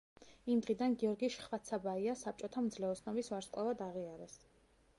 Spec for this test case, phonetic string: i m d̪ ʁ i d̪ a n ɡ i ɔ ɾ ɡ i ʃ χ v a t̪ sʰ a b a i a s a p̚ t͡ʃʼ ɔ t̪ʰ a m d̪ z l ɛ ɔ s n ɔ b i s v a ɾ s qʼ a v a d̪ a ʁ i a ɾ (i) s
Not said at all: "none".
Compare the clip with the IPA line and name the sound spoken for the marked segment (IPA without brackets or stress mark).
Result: ɛ